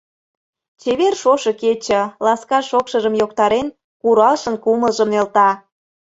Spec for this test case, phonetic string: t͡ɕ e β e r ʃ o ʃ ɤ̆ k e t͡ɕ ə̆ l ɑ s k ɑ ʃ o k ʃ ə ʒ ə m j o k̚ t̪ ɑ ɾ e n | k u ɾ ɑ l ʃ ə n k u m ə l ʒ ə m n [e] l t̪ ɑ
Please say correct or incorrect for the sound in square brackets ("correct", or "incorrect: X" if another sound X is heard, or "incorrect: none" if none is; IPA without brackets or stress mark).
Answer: correct